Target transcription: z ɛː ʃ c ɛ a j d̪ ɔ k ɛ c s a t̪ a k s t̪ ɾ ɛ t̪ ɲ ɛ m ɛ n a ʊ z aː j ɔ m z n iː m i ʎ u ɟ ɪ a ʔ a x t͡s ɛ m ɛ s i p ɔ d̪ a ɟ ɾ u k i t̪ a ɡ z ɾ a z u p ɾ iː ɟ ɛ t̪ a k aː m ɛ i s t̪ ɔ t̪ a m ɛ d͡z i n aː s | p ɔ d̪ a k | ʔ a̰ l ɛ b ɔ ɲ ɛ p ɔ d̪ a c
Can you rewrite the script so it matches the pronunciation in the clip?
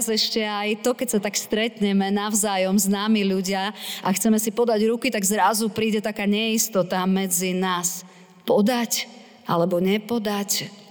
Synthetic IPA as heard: z ɛ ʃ c ɛ a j t̪ ɔ k ɛ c s a t̪ a k s t̪ ɾ ɛ t̪ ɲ ɛ m ɛ n a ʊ z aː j ɔ m z n aː m i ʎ u ɟ ɪ a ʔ a x t͡s ɛ m ɛ s i p ɔ d̪ a ɟ ɾ u k i t̪ a ɡ z ɾ a z u p ɾ iː ɟ ɛ t̪ a k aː ɲ ɛ i s t̪ ɔ t̪ a m ɛ d͡z i n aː s | p ɔ d̪ a c | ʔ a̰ l ɛ b ɔ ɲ ɛ p ɔ d̪ a c